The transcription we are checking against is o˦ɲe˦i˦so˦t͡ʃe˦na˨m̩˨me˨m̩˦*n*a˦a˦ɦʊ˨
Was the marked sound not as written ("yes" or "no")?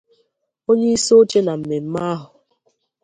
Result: yes